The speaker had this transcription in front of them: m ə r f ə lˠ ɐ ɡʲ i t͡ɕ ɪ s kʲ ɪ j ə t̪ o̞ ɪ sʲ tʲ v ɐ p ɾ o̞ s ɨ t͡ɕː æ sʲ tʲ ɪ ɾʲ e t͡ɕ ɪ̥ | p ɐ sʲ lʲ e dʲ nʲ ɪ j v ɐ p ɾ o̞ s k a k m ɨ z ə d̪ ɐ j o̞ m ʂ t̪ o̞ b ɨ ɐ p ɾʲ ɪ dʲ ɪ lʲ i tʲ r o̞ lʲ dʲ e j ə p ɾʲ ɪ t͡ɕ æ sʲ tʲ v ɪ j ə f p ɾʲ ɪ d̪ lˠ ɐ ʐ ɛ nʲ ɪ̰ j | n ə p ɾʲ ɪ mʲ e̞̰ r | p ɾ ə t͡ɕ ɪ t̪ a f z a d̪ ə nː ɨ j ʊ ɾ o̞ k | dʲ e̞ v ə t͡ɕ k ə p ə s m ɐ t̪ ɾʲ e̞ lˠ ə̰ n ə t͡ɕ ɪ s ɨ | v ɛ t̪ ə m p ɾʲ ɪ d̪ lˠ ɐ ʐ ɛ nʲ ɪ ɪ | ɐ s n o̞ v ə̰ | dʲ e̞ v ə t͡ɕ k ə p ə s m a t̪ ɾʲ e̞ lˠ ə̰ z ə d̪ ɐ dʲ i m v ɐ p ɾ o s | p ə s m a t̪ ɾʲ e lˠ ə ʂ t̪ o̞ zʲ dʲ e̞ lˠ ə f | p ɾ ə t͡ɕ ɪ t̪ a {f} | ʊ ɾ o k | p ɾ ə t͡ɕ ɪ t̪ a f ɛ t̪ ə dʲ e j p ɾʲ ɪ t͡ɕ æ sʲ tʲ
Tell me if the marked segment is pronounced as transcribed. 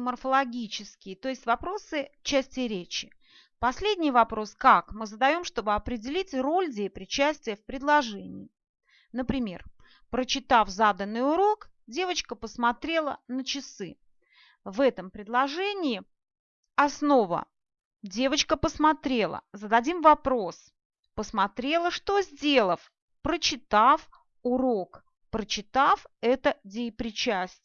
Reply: yes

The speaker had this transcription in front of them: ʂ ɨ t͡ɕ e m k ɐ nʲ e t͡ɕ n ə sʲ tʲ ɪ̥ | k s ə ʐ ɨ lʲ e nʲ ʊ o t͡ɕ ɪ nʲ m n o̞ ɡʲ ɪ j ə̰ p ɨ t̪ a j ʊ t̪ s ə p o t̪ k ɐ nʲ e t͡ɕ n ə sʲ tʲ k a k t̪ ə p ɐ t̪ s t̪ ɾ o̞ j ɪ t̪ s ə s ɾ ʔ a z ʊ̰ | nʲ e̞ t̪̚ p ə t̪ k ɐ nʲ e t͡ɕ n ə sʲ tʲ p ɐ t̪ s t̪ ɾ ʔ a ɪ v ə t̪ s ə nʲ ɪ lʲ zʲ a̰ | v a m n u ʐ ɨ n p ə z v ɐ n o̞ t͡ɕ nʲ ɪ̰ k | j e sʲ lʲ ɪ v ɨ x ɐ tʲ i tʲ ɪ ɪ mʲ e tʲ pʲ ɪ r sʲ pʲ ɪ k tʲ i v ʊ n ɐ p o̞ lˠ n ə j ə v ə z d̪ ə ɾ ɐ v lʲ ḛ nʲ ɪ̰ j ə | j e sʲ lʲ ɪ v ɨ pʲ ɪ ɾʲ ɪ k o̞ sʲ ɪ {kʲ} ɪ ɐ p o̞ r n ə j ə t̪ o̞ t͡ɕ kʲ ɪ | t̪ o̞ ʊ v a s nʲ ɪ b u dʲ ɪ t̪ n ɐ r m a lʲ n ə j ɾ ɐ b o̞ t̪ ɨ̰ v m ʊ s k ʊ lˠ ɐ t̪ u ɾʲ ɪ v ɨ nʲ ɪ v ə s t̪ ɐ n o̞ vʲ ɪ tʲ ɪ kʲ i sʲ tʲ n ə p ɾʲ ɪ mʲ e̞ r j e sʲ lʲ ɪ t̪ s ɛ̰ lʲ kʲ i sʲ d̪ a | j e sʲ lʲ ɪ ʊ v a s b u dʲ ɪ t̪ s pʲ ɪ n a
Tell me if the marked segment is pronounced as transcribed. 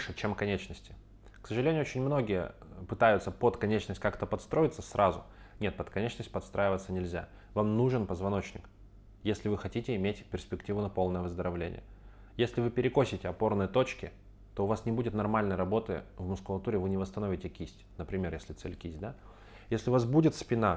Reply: no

